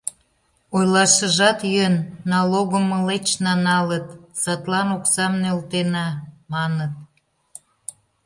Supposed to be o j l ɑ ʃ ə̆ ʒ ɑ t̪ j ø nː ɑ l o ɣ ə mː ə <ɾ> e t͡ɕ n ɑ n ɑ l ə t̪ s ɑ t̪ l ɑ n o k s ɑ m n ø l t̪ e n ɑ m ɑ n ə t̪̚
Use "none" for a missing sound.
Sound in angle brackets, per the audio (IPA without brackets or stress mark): l